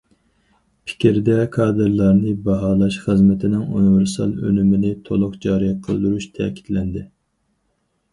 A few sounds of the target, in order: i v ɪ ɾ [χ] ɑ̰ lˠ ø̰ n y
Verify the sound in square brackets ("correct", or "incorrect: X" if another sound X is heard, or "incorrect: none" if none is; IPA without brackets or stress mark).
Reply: incorrect: s